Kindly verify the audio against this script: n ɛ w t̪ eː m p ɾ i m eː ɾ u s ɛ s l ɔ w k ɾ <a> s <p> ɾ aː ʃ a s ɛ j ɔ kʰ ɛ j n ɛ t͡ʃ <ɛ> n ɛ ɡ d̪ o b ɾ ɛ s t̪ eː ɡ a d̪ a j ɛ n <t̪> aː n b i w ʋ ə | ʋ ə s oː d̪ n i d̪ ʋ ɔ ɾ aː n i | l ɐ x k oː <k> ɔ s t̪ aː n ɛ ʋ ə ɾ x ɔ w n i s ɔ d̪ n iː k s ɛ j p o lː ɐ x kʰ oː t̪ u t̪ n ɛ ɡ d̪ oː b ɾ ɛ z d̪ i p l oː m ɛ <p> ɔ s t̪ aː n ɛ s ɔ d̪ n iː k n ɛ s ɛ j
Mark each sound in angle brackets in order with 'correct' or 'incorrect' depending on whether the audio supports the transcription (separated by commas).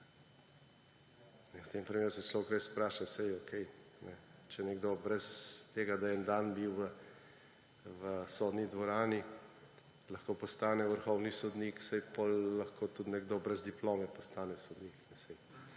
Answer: incorrect, correct, correct, incorrect, incorrect, correct